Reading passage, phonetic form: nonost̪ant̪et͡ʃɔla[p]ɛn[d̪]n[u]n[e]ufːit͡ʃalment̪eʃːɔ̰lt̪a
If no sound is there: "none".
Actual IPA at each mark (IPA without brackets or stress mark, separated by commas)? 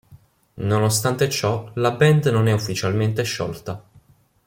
b, d̪, o, ɛ